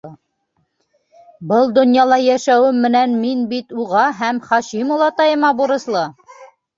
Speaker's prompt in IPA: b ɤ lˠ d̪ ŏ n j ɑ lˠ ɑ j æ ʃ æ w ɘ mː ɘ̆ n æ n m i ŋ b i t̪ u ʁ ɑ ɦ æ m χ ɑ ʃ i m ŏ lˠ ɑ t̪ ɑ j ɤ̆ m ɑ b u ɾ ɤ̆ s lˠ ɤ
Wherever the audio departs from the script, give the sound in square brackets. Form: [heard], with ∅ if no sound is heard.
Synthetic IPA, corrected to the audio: b ɤ lˠ d̪ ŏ n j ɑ lˠ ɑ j æ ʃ æ w ɘ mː ɘ̆ n æ n m i [n] b i t̪ u ʁ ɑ ɦ æ m χ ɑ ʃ i m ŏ lˠ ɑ t̪ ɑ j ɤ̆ m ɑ b u ɾ ɤ̆ s lˠ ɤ